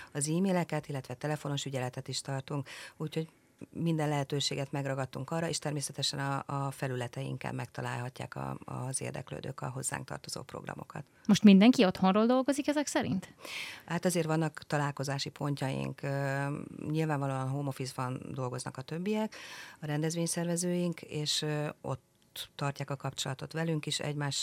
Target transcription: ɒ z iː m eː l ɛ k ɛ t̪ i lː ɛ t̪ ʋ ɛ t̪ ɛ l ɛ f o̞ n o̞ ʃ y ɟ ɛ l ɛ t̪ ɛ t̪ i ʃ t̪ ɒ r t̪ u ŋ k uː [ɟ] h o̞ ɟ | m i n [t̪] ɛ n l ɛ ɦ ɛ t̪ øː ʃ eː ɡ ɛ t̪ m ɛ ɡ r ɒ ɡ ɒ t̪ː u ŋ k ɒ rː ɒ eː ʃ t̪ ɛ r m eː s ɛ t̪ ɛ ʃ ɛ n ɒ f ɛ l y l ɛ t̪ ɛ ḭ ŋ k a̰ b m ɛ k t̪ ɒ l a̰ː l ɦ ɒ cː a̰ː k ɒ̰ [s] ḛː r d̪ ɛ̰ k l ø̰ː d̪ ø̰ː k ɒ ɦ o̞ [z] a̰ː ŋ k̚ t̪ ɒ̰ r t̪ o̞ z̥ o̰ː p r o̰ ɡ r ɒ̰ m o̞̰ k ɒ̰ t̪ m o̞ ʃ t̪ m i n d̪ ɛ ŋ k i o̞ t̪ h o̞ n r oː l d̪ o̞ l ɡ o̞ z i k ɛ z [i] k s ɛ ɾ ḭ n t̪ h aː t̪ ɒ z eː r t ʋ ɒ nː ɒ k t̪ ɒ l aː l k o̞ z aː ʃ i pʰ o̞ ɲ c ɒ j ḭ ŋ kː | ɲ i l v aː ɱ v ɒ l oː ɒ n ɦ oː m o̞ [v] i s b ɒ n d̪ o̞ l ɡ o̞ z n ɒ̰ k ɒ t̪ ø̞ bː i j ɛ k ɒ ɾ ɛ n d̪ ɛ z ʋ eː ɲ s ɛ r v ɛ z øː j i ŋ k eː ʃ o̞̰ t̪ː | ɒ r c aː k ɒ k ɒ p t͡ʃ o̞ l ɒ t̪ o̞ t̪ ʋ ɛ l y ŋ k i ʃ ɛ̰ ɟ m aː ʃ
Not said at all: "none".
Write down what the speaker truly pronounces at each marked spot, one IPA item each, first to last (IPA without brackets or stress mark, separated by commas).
c, d̪, z, zː, ɛ, f